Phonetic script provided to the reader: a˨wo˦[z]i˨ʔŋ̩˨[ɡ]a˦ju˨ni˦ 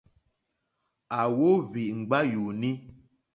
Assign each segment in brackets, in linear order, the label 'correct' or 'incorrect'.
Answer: incorrect, incorrect

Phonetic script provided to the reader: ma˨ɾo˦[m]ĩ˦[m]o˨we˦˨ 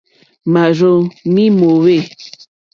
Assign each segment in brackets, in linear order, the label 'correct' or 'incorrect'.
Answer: correct, correct

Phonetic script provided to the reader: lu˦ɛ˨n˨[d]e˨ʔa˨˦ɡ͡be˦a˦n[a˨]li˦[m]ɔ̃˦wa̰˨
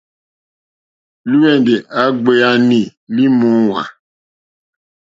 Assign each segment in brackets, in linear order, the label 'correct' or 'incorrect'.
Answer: correct, incorrect, correct

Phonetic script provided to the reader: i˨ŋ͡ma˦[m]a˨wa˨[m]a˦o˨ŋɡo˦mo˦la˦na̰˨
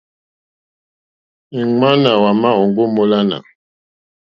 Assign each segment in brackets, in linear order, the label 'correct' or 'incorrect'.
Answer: incorrect, correct

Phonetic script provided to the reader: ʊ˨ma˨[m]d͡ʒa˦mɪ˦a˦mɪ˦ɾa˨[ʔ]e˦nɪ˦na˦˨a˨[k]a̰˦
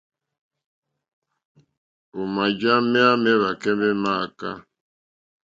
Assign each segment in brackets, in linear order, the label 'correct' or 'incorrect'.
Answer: incorrect, incorrect, correct

